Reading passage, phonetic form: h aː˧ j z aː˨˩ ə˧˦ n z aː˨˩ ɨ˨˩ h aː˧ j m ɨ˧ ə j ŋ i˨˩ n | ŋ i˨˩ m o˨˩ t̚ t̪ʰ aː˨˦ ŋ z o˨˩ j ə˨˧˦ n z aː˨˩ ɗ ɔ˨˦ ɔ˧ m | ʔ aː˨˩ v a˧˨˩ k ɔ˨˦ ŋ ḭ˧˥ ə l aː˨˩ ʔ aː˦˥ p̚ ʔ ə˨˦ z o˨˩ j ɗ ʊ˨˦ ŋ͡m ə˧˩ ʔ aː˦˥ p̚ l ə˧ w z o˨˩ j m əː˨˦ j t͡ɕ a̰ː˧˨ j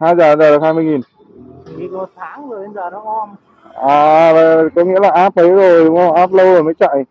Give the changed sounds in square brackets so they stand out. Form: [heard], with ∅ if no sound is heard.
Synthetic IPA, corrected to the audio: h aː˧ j z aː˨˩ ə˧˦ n z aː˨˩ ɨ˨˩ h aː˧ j m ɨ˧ ə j ŋ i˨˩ n | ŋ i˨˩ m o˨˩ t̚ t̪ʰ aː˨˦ ŋ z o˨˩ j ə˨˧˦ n z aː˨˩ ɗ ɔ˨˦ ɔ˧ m | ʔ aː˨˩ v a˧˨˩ k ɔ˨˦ ŋ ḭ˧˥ ə l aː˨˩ ʔ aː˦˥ p̚ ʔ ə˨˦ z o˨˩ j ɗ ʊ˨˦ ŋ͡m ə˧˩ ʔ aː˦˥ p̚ l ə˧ w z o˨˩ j m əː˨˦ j t͡ɕ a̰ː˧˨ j